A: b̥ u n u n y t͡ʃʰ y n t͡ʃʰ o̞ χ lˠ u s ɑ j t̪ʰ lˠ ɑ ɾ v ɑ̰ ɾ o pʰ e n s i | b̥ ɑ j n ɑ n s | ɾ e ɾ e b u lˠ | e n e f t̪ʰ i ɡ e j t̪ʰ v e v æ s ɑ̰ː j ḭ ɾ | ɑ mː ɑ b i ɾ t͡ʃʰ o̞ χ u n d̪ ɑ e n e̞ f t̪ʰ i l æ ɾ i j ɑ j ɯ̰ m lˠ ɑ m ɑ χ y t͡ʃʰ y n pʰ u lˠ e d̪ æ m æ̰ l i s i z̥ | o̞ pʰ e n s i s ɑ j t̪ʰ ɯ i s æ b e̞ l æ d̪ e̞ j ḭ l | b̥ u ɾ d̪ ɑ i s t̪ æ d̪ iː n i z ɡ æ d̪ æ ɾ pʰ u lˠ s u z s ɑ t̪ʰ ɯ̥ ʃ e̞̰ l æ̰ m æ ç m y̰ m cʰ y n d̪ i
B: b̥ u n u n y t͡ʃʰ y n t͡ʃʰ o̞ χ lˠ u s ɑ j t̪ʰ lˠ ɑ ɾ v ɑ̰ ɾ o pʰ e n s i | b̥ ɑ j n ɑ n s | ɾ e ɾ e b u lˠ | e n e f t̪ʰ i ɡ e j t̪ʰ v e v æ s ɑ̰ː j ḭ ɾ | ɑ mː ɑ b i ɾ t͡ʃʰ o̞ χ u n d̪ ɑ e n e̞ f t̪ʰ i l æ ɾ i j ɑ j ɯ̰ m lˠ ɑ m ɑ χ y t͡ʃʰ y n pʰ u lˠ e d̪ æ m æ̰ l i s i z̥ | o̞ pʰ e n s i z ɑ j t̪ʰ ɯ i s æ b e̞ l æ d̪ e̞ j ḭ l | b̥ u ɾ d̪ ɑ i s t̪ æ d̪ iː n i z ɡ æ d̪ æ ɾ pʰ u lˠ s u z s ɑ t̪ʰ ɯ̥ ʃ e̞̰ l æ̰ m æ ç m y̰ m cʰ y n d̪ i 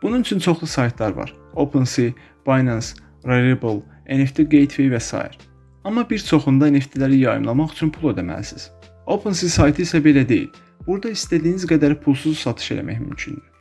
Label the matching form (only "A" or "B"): A